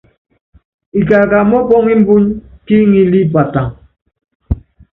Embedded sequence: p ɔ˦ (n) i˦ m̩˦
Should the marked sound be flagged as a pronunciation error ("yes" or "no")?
yes